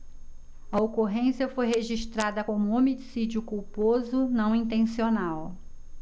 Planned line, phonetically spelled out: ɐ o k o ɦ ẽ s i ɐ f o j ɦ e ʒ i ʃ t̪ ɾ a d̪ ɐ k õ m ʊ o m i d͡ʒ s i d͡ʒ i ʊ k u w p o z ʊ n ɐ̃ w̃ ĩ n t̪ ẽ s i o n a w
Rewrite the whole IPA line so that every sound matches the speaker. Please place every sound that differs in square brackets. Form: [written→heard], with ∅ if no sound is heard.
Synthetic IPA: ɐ o k o ɦ ẽ s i ɐ f o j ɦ e ʒ i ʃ t̪ ɾ a d̪ ɐ k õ m ʊ o m i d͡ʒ s i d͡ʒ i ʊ k u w p o z ʊ n ɐ̃ w̃ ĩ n t̪ ẽ s i o n a w